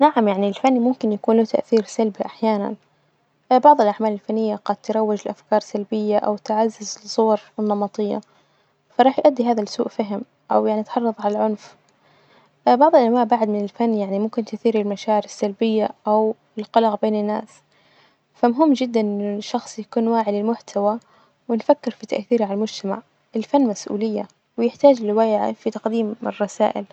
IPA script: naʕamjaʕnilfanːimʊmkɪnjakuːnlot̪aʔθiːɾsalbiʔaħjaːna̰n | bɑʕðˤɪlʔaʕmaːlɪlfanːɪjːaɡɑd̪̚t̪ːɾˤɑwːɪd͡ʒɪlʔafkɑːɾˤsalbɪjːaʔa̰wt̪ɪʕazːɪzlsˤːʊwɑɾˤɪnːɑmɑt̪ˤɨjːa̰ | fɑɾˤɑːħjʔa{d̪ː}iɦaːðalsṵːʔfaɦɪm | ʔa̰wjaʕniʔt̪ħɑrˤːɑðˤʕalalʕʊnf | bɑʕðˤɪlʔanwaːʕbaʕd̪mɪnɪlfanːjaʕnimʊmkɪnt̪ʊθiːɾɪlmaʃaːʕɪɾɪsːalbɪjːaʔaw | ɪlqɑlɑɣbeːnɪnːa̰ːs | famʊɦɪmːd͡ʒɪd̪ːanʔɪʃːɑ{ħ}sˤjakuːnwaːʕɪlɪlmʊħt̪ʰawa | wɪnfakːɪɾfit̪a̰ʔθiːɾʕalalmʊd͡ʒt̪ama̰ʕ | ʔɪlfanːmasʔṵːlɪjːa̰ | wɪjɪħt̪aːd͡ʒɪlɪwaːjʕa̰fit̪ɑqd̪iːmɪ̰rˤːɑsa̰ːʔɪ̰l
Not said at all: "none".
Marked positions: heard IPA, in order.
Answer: d̪ː, x

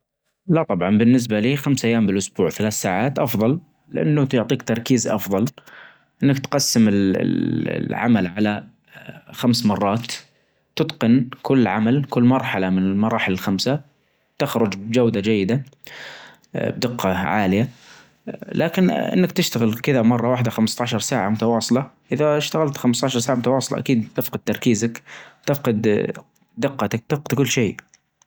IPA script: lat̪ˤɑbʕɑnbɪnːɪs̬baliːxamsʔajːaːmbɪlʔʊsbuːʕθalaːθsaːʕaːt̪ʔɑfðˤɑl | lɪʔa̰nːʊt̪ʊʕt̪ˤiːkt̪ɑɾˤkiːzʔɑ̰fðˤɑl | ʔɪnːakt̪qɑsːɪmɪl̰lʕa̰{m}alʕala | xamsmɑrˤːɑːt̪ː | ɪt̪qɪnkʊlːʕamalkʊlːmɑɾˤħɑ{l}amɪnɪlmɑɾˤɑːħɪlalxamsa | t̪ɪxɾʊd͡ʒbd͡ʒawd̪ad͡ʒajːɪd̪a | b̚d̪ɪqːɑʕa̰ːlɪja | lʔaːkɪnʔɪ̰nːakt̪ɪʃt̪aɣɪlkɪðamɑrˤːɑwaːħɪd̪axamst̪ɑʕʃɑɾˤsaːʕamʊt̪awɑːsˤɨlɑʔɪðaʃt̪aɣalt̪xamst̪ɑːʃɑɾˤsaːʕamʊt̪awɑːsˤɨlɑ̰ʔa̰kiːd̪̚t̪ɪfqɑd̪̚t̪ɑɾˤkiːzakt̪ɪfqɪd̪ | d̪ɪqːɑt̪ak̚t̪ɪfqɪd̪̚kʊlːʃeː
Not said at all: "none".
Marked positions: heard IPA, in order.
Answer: m, l

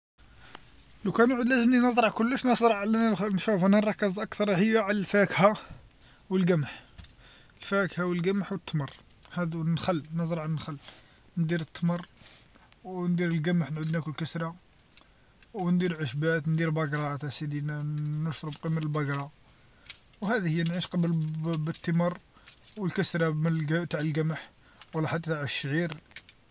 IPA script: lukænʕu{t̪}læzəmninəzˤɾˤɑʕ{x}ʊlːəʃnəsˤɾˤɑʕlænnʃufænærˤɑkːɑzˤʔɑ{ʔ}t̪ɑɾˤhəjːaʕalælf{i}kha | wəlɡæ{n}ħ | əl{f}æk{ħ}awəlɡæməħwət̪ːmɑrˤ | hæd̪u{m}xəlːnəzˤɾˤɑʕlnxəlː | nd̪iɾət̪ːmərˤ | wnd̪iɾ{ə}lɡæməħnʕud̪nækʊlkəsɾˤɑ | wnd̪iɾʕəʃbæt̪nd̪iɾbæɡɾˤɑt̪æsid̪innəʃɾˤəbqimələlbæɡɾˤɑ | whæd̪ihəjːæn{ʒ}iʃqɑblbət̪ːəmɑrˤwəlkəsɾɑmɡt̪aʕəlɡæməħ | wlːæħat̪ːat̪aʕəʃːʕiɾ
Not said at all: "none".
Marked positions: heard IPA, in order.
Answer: d̪, k, k, æ, m, f, h, n, ə, ʕ

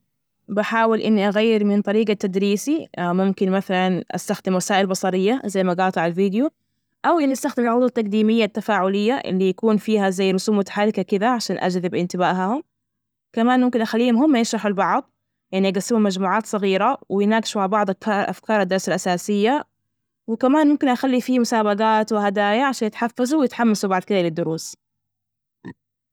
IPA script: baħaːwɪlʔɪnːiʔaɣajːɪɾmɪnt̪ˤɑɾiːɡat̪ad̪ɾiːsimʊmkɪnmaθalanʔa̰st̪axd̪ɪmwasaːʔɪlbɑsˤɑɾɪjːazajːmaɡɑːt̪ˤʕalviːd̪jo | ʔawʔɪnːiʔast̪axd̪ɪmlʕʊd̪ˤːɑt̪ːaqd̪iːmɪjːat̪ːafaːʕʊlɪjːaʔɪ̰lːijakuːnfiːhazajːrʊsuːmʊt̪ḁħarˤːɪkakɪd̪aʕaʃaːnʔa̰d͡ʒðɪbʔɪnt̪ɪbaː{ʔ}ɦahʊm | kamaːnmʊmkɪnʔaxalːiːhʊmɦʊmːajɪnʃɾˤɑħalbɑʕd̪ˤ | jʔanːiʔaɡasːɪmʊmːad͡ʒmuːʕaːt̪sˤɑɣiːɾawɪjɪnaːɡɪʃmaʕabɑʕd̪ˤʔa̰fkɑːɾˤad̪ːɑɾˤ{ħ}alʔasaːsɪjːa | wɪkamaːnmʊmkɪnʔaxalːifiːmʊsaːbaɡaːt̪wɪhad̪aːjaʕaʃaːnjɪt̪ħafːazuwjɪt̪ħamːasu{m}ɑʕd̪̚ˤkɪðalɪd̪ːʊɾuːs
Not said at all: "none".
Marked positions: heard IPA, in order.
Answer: ʔ, s, b

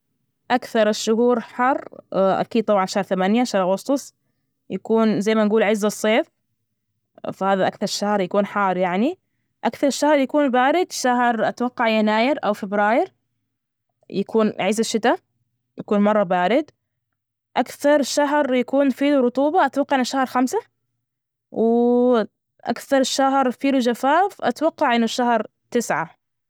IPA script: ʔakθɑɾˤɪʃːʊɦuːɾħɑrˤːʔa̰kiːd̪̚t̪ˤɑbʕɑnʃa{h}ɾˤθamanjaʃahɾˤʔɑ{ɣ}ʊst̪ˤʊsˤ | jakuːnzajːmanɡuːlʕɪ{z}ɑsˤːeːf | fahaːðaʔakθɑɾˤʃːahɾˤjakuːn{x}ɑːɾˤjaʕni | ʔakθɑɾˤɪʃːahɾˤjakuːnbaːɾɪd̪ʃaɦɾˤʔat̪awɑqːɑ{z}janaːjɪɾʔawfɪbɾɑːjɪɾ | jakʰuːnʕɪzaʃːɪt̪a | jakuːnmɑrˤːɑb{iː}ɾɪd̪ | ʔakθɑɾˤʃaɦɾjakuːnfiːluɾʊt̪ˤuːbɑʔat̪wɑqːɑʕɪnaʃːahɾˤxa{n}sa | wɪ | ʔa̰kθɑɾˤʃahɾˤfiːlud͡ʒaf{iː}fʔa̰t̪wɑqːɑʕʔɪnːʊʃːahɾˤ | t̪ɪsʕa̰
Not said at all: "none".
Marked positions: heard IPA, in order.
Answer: h, ɣ, zː, ħ, ʕ, aː, m, aː

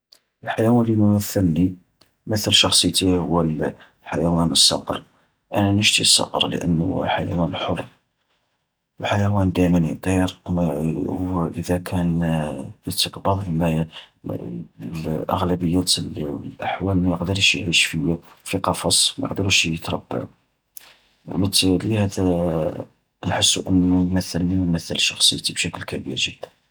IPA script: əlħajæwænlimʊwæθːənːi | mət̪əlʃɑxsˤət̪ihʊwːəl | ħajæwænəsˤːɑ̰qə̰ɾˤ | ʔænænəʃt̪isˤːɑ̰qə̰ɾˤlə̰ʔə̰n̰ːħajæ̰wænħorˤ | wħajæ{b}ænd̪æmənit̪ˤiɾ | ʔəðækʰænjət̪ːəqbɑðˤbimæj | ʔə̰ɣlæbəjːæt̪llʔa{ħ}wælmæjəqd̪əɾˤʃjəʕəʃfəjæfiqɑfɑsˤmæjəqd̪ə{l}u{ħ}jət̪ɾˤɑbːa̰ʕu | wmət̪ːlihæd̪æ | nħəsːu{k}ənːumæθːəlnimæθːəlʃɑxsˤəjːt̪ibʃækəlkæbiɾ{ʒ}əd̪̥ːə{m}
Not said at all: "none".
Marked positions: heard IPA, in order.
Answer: w, ħ, ɾ, ʃ, ʔ, ʒ, n

